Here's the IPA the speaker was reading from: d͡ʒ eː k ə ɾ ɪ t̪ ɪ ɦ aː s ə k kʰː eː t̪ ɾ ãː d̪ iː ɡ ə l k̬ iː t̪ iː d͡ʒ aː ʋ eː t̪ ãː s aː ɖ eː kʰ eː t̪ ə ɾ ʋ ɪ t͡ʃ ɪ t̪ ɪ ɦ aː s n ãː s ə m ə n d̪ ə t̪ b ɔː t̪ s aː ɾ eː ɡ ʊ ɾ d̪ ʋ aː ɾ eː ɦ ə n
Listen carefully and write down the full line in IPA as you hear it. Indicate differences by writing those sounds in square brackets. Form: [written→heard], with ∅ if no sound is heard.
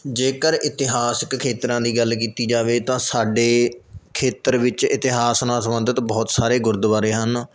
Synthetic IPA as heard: d͡ʒ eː k ə ɾ ɪ t̪ ɪ ɦ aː s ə k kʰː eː t̪ ɾ ãː d̪ iː ɡ ə l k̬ iː t̪ iː d͡ʒ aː ʋ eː t̪ ãː s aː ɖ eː kʰ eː t̪ ə ɾ ʋ ɪ t͡ʃ ɪ t̪ ɪ ɦ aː s n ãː s ə m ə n d̪ ə t̪ b ɔː t̪ s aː ɾ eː ɡ ʊ ɾ d̪ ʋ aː ɾ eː ɦ ə n